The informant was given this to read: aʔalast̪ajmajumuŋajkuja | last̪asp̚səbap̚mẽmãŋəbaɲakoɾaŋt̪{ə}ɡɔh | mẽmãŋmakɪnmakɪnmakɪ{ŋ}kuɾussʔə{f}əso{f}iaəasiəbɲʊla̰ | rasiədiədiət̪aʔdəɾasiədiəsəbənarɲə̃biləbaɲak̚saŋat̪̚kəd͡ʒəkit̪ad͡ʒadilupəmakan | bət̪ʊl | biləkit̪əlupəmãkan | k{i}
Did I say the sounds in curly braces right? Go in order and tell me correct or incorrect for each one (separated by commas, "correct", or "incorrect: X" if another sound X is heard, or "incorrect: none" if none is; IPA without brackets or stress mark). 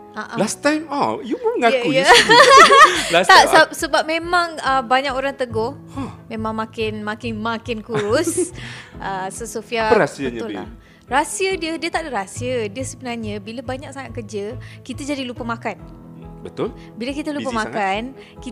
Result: correct, incorrect: n, incorrect: s, correct, correct